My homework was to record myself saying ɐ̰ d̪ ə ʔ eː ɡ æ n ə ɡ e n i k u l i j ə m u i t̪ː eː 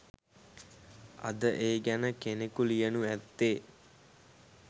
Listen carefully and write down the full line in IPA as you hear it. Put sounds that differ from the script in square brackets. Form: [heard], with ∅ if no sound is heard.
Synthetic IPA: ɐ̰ d̪ ə ʔ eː ɡ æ n ə [k] e n [e] k u l i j ə [n] u [æ] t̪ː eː